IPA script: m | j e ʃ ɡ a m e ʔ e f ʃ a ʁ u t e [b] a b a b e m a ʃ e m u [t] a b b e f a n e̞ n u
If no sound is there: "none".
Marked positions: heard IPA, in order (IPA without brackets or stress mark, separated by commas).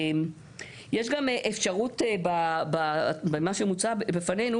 b, t͡s